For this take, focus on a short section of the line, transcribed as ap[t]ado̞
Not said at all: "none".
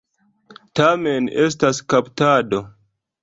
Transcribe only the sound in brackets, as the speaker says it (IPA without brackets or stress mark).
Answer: t